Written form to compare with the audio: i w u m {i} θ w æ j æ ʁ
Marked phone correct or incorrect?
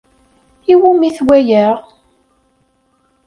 correct